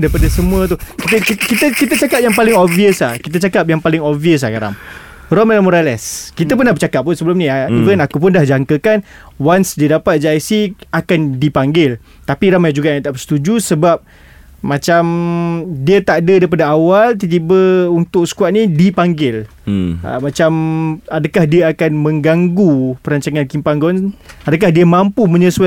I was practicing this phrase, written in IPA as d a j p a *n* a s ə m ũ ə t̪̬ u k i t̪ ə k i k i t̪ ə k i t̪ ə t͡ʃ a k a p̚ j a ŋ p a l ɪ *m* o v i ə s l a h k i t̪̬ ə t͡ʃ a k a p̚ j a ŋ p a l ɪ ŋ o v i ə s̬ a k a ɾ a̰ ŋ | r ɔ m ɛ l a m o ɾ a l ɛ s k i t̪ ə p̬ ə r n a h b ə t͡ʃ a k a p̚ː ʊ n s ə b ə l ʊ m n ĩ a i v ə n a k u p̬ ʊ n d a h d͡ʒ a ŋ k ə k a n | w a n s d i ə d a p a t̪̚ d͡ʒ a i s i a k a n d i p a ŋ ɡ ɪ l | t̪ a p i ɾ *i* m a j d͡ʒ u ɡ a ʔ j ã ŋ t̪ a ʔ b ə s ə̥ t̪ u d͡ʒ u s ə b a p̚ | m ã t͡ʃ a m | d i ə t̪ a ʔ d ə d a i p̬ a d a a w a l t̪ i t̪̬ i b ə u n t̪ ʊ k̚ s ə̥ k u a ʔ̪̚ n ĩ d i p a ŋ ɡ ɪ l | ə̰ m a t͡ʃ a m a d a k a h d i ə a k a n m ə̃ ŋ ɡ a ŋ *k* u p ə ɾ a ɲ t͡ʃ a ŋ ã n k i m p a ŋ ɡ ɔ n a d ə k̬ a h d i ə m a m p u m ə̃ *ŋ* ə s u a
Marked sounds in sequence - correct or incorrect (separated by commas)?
incorrect, incorrect, incorrect, incorrect, incorrect